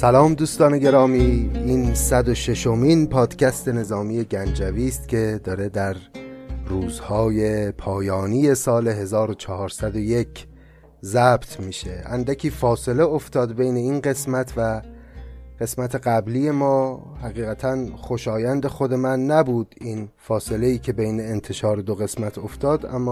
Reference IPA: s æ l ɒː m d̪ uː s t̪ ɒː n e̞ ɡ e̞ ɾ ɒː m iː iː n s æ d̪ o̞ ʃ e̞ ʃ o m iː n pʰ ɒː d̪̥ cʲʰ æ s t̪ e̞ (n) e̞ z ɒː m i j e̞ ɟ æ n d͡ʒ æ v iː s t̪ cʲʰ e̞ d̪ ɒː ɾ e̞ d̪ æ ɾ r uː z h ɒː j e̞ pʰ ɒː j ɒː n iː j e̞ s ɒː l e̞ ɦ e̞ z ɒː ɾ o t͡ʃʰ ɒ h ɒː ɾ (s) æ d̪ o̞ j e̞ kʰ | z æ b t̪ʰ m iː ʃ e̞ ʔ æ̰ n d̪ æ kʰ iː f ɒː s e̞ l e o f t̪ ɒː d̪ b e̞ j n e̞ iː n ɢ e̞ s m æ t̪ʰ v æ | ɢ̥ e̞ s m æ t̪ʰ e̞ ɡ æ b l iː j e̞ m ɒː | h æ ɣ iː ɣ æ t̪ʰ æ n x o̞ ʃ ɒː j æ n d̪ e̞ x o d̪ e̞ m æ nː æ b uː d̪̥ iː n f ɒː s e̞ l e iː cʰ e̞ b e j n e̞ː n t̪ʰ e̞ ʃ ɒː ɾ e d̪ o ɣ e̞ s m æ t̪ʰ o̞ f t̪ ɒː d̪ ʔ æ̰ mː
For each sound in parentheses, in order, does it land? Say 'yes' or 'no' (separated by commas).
yes, yes